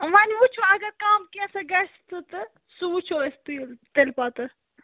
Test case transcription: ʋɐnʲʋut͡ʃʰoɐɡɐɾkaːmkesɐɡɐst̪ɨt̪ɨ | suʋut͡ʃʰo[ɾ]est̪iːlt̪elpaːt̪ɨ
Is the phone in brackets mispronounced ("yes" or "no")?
yes